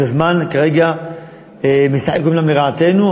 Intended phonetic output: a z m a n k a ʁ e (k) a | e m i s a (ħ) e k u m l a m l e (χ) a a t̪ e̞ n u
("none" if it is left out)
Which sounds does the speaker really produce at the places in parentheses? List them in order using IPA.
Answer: ɡ, ħ, ʁ

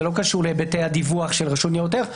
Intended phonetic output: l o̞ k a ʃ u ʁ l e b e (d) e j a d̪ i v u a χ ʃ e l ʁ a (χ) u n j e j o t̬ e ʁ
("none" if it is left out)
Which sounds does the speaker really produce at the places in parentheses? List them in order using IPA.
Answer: t, ʃ

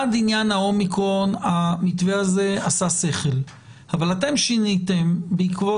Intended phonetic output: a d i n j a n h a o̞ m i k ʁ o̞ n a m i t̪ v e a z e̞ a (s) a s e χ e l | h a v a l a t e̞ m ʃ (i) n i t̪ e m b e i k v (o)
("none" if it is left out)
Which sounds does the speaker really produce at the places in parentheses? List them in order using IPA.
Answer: s, i, o

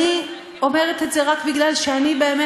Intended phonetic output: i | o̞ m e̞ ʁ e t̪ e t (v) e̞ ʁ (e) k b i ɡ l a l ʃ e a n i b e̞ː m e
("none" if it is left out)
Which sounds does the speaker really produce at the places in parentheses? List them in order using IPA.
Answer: z, a

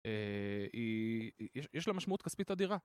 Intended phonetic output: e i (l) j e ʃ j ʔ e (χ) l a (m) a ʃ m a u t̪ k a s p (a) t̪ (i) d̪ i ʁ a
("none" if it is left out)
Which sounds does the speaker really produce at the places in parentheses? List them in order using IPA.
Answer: none, ʃ, m, i, a

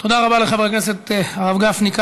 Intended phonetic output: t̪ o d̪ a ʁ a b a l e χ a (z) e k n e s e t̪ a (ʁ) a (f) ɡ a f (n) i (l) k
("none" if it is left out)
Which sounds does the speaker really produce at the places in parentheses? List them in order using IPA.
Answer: v, ʁ, v, n, none

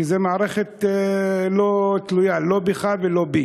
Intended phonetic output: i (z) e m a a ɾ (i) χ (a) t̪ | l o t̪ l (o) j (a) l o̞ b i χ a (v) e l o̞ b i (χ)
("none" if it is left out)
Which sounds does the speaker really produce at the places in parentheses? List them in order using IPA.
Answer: z, e, e, u, a, v, none

